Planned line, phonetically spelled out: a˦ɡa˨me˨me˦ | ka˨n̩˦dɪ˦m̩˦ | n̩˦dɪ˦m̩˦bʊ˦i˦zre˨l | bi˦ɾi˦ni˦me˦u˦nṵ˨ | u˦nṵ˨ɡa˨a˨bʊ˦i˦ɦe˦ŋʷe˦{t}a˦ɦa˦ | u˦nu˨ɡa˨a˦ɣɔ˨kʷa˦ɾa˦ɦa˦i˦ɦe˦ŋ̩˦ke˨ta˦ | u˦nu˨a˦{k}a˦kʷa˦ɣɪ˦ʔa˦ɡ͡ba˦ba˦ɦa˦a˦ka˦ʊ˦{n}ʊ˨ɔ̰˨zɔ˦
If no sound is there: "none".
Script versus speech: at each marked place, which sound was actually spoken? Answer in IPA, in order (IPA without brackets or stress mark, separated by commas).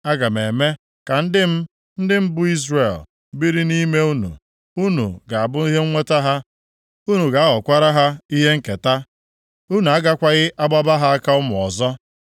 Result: t, ɡ, m